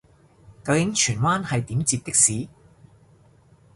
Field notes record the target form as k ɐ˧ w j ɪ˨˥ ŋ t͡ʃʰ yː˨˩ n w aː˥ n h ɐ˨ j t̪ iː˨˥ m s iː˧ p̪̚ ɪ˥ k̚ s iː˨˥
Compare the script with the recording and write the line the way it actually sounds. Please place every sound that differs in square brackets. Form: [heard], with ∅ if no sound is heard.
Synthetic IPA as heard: k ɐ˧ w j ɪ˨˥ ŋ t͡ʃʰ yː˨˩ n w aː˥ n h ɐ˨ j t̪ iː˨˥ m [t͡s] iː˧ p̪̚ ɪ˥ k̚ s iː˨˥